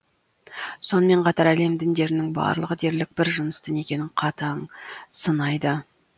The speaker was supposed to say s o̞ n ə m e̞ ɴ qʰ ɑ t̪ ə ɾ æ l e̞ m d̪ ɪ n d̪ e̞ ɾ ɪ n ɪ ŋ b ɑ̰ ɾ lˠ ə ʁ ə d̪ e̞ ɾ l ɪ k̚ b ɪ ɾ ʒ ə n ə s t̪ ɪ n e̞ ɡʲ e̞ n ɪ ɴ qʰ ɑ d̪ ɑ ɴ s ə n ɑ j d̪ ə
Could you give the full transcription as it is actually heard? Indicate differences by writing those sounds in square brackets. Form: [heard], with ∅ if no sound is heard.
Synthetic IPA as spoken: s o̞ n ə m e̞ ɴ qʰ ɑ t̪ [ɑ] ɾ æ l e̞ m d̪ ɪ n d̪ e̞ ɾ ɪ n ɪ ŋ b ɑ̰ ɾ lˠ ə ʁ ə d̪ e̞ ɾ l ɪ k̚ b ɪ ɾ ʒ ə n ə s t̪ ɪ n e̞ [kʲ] e̞ n ɪ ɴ qʰ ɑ [t̪] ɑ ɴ s ə n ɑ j d̪ ə